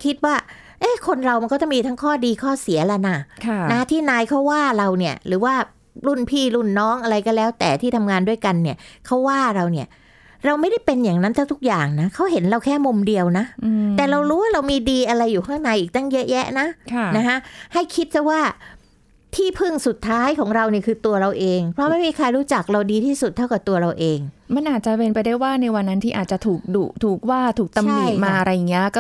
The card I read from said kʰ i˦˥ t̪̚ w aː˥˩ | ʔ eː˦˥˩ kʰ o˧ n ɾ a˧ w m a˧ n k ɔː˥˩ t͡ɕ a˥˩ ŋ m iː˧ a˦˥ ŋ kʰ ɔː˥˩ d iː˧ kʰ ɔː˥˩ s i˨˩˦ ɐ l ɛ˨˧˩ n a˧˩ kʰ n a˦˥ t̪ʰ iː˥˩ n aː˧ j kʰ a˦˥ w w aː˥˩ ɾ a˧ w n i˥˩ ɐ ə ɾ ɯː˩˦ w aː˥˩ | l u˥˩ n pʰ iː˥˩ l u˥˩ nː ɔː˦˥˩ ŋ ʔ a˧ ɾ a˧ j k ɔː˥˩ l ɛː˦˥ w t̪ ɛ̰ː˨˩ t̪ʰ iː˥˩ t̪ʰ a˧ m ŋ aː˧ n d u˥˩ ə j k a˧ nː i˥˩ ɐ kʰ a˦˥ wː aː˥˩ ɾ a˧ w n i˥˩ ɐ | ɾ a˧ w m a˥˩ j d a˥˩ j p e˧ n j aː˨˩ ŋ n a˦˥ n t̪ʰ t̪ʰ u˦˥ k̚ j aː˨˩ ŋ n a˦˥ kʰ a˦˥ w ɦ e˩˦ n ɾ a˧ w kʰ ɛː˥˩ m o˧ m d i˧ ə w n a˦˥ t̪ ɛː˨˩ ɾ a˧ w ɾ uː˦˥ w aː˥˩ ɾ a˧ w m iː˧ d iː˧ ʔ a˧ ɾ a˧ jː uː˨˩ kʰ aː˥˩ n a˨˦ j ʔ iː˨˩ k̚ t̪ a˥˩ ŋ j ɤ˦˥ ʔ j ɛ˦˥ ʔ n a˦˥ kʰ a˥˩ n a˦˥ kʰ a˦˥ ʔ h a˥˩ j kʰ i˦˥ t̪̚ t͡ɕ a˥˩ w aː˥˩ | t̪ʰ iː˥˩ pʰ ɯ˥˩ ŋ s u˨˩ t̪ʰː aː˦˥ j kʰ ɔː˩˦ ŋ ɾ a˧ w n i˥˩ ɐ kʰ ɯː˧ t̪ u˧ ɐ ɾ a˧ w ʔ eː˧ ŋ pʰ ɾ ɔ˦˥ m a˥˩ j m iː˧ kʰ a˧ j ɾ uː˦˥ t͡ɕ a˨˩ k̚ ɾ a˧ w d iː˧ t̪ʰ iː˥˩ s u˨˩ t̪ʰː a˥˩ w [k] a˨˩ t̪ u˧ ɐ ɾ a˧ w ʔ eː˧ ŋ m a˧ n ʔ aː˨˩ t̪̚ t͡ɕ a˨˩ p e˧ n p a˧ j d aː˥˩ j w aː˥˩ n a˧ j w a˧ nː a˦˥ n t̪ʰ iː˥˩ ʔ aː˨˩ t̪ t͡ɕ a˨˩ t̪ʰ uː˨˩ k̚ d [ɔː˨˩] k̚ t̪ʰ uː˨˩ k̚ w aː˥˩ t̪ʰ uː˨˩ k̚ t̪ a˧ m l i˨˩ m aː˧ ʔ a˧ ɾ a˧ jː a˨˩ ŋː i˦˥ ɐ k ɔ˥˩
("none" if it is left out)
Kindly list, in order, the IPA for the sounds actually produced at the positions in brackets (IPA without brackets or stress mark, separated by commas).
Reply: k, uː˨˩